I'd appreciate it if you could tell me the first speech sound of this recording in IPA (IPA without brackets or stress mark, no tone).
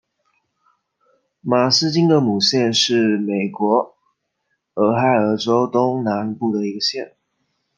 m